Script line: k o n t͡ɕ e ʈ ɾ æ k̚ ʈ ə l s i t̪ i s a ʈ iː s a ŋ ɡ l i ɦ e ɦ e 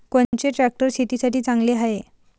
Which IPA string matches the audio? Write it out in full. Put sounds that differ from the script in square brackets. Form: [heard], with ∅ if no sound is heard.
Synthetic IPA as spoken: k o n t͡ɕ e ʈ ɾ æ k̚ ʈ ə [ɾ] s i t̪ i s a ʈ iː [t͡s] a ŋ ɡ l [e] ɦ [a] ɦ e

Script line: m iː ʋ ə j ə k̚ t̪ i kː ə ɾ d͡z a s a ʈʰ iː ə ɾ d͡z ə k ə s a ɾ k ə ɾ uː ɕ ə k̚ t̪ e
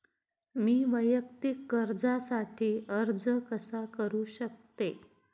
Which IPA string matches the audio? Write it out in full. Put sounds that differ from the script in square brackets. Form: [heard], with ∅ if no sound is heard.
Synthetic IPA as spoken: m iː ʋ ə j ə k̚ t̪ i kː ə ɾ d͡z a s a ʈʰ iː ə ɾ d͡z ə k ə s a [∅] k ə ɾ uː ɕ ə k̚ t̪ e

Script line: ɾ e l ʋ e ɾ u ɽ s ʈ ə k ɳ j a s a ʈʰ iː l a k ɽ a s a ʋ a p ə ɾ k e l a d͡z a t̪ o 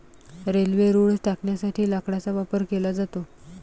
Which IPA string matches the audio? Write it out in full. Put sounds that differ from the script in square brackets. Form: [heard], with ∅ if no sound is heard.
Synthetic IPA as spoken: ɾ e l ʋ e ɾ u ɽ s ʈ [a] k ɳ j a s a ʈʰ iː l a k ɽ a [t͡s] a ʋ a p ə ɾ k e l a d͡z a t̪ o

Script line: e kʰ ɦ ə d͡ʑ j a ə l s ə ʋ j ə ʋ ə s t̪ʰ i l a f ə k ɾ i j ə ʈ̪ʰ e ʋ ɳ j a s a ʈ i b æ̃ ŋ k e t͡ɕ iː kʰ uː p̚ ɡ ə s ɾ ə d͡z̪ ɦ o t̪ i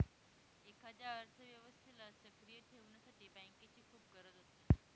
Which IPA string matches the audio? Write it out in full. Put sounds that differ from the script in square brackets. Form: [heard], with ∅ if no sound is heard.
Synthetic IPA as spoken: e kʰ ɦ ə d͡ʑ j a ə [ɾ] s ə ʋ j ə ʋ ə s t̪ʰ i l a [s] ə k ɾ i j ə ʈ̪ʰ e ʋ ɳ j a s a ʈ i b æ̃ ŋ k e t͡ɕ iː kʰ uː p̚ ɡ ə [∅] ɾ ə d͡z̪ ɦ o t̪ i

